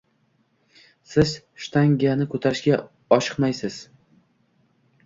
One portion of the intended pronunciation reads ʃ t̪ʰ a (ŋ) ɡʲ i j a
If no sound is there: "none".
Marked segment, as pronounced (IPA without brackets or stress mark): ŋ